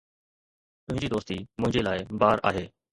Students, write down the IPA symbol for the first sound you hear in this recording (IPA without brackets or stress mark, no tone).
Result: t̪